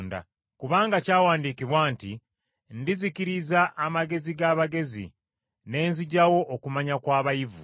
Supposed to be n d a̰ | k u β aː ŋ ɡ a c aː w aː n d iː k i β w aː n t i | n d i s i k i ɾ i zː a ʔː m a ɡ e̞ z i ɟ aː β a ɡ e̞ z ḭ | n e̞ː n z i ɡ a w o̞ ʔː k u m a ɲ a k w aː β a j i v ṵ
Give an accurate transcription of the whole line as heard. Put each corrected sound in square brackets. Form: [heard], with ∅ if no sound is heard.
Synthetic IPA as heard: n d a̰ | k u β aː ŋ ɡ a c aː w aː n d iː k i β w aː n t i | n d i [z] i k i ɾ i [z] a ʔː m a ɡ e̞ z i [ɡ] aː β a ɡ e̞ z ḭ | n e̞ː n z i [ɟ] a w o̞ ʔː k u m a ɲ a k w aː β a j i v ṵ